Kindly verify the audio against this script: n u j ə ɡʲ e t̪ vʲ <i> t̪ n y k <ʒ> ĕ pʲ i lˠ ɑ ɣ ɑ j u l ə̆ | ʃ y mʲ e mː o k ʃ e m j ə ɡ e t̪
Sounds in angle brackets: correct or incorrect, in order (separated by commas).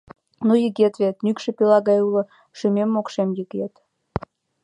incorrect, incorrect